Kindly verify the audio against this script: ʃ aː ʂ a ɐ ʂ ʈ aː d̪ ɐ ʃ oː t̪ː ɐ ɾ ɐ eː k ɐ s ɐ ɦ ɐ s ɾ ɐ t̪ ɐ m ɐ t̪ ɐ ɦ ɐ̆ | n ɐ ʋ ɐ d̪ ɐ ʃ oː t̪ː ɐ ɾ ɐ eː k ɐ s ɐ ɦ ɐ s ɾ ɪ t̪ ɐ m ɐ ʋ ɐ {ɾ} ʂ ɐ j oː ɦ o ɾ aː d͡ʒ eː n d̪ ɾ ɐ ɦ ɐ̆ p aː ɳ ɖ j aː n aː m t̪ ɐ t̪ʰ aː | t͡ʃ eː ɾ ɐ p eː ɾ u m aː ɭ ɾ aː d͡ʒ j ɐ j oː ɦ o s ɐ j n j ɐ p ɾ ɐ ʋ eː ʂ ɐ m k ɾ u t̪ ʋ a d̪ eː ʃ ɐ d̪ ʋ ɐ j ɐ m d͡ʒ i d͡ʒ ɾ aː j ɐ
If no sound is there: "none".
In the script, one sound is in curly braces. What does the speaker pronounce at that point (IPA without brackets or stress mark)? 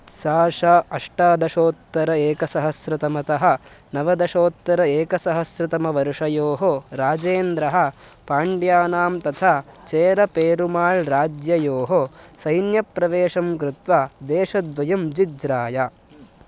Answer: ɾ